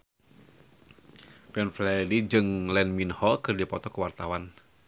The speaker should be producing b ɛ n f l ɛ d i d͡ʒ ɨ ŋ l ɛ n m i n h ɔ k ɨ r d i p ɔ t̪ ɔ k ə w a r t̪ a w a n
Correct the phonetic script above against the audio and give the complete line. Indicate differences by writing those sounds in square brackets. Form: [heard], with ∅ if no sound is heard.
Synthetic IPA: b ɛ n f l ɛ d i d͡ʒ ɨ ŋ l ɛ n m i n h ɔ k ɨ r d i p ɔ t̪ ɔ k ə w a r t̪ a w a n